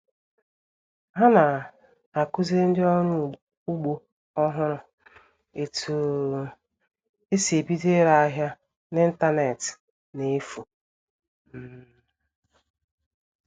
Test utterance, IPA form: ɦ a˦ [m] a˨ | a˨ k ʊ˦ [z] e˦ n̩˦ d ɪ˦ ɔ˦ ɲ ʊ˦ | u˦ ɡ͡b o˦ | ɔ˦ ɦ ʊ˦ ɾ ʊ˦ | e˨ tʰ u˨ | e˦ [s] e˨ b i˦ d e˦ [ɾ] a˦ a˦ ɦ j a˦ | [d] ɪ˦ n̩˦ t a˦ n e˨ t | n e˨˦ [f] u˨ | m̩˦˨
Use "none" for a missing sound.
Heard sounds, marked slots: n, z, s, ɾ, n, f

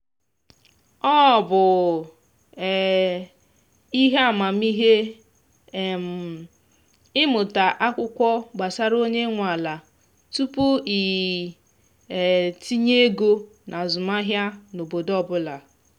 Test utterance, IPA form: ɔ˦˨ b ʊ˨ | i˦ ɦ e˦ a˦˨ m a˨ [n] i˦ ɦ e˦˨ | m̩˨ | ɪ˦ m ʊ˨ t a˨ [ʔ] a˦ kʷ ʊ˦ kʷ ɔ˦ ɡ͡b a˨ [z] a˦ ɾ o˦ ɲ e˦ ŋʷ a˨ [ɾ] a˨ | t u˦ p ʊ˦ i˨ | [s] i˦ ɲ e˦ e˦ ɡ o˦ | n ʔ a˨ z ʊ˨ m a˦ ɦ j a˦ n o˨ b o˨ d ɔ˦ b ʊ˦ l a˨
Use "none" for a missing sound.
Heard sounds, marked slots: m, ʔ, s, l, t

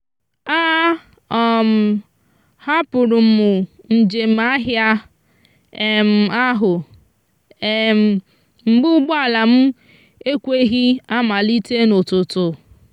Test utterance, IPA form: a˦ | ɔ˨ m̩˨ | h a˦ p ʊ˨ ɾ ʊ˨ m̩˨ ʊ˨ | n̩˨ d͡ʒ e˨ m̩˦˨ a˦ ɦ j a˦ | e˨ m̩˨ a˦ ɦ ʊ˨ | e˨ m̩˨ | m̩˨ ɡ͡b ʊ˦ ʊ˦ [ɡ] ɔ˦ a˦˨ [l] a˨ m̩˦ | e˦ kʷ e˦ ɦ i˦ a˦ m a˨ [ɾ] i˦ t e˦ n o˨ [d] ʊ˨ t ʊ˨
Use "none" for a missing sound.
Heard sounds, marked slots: ɡ͡b, l, l, t

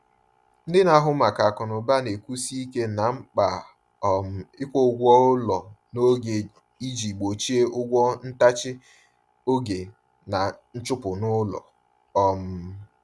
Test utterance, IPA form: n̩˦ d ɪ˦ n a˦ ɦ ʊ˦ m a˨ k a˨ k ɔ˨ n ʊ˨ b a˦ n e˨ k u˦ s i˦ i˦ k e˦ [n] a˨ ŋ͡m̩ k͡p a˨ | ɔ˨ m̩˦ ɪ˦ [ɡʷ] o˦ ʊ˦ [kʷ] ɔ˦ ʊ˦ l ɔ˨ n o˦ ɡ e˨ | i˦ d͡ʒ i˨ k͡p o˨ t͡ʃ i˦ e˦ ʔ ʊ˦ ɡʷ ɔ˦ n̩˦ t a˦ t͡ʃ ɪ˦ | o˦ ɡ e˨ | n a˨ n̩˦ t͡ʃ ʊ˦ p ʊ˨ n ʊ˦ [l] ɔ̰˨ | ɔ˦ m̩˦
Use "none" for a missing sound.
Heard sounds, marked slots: n, kʷ, ɡʷ, l

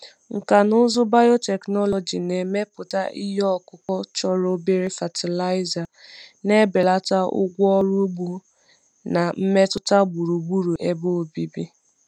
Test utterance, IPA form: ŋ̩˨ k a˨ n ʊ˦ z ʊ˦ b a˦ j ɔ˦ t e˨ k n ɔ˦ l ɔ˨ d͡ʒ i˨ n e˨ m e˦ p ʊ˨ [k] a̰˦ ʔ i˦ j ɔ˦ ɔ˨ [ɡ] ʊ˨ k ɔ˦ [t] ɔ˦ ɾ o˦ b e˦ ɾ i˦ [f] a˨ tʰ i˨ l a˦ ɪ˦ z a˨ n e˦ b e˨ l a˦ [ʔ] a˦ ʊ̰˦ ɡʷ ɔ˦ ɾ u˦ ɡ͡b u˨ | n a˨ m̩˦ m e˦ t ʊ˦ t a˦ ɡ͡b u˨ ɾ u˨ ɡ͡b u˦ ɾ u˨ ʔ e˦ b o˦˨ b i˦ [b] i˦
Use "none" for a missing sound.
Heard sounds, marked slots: t, k, t͡ʃ, f, t, b

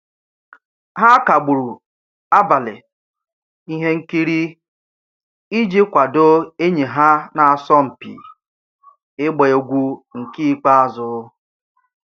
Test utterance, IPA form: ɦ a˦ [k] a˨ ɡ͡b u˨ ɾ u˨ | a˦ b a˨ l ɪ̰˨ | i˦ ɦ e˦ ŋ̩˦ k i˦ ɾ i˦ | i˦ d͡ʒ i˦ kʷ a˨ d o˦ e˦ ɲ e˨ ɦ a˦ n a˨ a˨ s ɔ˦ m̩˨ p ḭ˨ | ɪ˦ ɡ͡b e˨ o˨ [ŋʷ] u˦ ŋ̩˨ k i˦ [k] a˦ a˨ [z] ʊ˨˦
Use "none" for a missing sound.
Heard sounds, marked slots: k, ɡʷ, k͡p, z

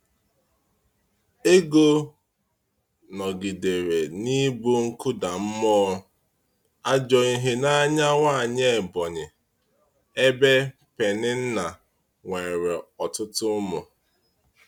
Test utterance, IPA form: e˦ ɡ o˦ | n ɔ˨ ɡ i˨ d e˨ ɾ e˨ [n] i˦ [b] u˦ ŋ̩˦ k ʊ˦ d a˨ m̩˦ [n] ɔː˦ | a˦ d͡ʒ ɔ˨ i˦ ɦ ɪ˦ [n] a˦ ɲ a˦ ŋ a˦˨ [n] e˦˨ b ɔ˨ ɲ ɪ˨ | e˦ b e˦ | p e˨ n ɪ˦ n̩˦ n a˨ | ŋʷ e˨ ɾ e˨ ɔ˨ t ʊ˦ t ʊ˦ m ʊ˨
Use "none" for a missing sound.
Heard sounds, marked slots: n, b, m, n, ɲ

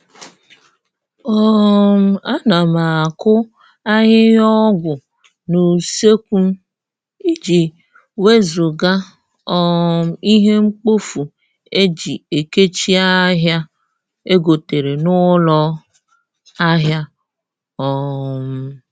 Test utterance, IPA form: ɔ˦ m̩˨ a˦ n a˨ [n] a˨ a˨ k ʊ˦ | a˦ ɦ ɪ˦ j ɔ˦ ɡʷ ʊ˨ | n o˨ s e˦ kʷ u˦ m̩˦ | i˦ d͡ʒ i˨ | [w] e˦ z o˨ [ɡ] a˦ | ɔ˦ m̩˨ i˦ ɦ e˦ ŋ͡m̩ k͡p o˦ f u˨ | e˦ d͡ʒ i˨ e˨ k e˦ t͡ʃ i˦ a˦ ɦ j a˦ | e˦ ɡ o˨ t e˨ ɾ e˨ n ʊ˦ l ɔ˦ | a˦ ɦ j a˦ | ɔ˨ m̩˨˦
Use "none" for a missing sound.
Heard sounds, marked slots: m, w, ɡ

